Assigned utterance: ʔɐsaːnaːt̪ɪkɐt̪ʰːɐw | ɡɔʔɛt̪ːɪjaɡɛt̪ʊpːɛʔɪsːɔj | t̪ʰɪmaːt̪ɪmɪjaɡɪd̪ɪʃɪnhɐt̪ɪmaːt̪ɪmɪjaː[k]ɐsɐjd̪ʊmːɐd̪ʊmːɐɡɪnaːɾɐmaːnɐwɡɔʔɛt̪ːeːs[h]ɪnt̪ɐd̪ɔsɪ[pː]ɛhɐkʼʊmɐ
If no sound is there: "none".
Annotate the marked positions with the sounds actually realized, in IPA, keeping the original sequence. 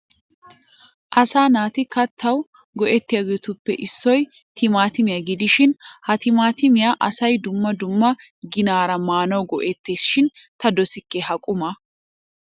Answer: ʔ, ʃ, kː

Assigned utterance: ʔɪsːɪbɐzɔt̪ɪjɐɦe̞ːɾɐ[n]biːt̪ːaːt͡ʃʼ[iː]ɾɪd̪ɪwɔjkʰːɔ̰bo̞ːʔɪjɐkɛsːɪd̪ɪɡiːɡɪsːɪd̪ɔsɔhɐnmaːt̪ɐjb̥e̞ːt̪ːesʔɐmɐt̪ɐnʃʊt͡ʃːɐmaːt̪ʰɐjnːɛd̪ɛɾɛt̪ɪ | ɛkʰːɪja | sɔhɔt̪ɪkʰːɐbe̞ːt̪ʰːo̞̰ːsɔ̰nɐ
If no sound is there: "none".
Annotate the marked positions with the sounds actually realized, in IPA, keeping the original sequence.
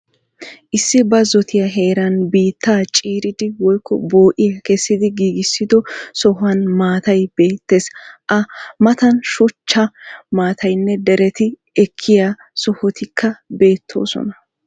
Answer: n, iː

